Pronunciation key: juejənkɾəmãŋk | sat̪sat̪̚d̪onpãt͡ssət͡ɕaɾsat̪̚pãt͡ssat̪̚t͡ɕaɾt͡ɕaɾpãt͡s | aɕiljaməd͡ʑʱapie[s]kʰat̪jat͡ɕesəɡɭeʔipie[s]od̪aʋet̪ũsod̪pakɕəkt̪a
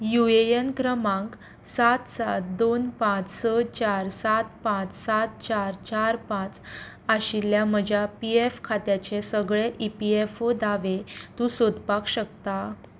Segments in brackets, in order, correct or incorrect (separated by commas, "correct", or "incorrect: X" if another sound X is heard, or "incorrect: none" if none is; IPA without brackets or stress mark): incorrect: f, incorrect: f